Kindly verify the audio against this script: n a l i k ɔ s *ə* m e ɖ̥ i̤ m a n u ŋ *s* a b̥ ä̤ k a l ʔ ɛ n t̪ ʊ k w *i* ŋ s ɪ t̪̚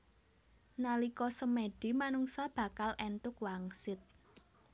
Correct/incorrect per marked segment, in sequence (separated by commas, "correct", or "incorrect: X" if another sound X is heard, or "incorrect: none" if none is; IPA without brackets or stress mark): correct, correct, incorrect: a